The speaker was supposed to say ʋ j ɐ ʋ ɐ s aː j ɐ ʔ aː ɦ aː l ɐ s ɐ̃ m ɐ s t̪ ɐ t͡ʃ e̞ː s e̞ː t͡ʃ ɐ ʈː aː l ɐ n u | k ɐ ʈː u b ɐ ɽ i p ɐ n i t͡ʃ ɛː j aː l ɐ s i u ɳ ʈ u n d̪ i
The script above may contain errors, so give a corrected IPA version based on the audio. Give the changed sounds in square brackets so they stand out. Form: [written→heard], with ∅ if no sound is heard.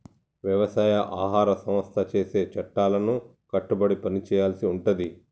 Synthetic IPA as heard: ʋ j ɐ ʋ ɐ s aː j ɐ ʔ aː ɦ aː [l→ɾ] ɐ s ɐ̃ m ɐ s [t̪→t̪ʰ] ɐ t͡ʃ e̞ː s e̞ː t͡ʃ ɐ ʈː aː l ɐ n u | k ɐ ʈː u b ɐ ɽ i p ɐ n i t͡ʃ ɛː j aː l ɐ s i u ɳ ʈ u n d̪ i